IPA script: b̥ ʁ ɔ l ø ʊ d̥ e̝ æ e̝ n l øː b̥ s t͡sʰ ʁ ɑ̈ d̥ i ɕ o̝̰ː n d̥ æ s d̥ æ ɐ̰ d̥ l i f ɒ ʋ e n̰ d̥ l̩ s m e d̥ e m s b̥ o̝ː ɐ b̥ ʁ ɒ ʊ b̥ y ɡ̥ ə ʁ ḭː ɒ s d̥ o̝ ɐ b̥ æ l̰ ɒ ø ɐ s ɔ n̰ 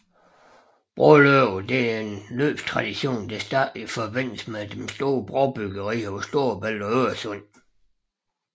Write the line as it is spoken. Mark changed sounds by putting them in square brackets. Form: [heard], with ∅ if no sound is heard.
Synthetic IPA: b̥ ʁ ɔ l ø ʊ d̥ e̝ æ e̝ n l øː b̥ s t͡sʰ ʁ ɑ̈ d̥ i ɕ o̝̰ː n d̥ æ s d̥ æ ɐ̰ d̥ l i f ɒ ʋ e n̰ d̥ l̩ s m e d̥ e m s [d̥] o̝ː ɐ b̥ ʁ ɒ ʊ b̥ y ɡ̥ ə ʁ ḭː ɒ s d̥ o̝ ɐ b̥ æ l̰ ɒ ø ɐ s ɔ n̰